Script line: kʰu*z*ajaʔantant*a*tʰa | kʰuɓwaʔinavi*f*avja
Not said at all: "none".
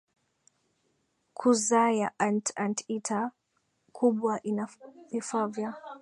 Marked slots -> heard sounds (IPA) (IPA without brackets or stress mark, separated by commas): z, i, f